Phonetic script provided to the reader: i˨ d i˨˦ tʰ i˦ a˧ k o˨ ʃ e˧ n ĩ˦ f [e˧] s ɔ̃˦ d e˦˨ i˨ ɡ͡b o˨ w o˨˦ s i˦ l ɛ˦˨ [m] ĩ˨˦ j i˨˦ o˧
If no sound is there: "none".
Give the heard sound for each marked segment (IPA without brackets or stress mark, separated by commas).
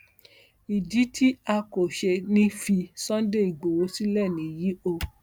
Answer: i˧, n